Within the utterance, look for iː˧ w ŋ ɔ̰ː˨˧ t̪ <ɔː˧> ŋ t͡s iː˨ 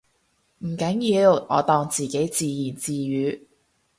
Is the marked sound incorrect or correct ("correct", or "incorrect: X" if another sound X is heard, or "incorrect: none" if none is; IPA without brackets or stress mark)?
correct